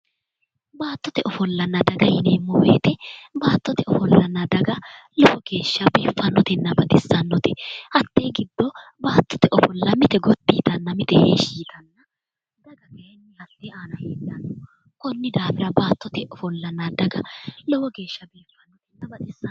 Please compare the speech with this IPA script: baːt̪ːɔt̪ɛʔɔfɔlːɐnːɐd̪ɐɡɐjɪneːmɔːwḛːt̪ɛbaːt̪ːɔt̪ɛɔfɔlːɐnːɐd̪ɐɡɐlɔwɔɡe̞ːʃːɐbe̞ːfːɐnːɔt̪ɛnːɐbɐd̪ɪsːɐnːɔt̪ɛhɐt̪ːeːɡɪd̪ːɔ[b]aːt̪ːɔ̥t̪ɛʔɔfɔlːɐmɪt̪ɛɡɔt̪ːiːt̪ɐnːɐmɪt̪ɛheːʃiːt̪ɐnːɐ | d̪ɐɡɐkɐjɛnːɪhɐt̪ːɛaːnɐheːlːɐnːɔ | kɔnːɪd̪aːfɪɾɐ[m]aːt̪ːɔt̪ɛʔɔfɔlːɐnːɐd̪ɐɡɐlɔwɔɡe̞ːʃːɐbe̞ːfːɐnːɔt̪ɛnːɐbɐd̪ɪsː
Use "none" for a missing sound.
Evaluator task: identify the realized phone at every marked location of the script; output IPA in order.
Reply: b, b

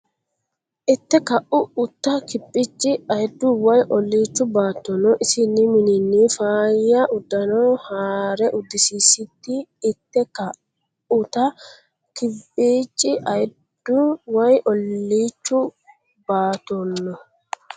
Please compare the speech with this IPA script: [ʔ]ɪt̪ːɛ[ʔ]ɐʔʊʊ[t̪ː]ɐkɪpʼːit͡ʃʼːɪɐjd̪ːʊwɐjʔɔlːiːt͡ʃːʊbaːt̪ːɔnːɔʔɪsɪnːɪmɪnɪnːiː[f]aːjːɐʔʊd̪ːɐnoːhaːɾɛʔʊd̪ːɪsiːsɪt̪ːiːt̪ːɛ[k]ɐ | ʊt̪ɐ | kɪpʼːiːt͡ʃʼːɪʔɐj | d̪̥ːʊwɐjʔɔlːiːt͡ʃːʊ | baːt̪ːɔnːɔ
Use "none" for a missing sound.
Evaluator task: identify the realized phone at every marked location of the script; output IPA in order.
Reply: ʔ, k, t̪ː, f, k

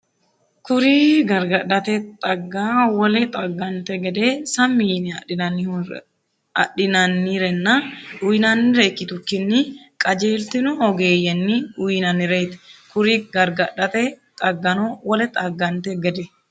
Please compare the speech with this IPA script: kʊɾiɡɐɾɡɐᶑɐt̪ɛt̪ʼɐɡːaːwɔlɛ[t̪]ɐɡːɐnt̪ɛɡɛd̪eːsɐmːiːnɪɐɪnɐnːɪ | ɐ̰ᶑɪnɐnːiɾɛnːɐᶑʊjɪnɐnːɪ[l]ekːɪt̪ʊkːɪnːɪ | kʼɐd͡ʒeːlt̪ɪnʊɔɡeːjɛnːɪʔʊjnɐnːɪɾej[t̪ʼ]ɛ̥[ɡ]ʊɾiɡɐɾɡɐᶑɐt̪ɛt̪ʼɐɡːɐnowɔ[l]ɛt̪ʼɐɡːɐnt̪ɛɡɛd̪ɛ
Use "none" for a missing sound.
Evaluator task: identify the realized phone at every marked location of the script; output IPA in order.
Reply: t̪ʼ, ɾ, t̪, k, l

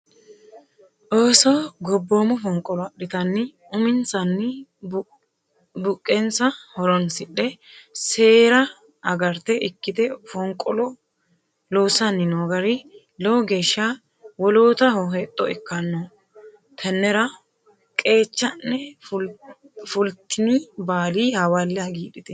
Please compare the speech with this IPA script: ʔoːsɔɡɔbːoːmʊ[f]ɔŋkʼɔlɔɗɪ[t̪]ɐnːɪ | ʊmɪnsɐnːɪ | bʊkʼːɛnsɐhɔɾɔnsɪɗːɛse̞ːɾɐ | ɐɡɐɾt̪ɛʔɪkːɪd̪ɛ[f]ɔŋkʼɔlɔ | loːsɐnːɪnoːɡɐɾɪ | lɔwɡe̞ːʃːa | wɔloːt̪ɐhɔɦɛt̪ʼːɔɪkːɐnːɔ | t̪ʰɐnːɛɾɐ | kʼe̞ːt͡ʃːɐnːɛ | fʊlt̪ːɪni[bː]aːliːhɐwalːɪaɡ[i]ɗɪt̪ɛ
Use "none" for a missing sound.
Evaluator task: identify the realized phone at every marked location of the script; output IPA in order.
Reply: f, t̪, f, b, iː

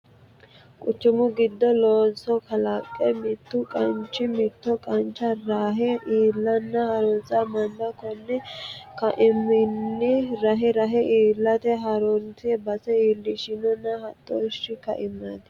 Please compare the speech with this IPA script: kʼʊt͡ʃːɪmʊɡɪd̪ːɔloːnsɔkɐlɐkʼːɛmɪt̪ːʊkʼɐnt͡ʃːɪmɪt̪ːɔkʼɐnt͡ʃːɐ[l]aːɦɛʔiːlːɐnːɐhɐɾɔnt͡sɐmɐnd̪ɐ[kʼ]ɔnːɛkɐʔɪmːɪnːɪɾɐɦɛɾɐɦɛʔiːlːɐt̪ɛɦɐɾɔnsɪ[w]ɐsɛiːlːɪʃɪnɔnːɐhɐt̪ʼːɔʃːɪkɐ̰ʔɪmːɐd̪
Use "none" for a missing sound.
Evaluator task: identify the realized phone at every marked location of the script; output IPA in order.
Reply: ɾ, k, b

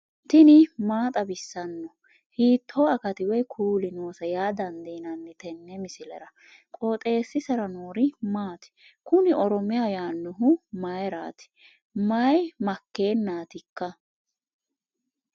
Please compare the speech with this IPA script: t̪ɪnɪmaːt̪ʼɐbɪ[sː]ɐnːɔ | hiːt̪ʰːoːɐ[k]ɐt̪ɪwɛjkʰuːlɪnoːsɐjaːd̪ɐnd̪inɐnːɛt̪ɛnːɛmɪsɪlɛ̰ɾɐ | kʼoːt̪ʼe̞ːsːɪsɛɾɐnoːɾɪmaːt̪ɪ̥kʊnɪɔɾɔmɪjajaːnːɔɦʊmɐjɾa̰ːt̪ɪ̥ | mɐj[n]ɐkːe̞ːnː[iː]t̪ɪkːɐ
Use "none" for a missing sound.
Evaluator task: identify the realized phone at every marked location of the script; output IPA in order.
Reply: sː, k, m, aː

